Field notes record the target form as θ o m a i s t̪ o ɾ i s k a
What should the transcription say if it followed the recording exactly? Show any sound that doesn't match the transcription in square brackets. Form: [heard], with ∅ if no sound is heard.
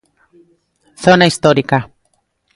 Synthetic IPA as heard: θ o [n] a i s t̪ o ɾ i [∅] k a